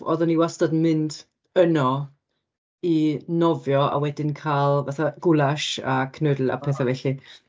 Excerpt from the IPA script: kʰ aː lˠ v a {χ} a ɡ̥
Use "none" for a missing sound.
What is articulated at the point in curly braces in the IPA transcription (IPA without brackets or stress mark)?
θ